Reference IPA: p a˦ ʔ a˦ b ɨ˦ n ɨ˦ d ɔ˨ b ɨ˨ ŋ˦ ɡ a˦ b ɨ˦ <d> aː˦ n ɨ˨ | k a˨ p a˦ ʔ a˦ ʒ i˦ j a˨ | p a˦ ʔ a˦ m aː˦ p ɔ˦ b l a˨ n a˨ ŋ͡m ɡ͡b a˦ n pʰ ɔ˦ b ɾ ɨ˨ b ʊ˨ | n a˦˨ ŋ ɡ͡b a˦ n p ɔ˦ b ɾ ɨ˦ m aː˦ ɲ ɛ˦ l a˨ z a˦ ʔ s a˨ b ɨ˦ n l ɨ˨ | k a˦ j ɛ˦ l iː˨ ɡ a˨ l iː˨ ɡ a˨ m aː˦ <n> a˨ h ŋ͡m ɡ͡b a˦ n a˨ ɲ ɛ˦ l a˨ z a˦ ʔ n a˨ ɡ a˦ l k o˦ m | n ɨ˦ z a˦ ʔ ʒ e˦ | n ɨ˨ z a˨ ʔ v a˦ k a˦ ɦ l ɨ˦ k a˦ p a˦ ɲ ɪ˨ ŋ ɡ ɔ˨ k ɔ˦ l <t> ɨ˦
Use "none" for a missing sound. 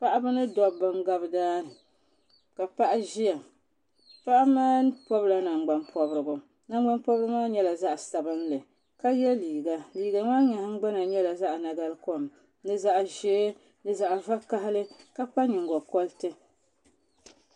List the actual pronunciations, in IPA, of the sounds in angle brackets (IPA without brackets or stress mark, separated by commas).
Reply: d, ɲ, t